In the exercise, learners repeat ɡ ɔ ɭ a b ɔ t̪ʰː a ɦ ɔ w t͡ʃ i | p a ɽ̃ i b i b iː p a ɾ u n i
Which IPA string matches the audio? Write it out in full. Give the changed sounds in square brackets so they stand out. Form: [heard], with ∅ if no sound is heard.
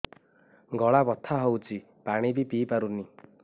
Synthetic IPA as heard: ɡ ɔ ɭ a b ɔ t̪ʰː a ɦ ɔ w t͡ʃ i | p a ɽ̃ i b i [p] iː p a ɾ u n i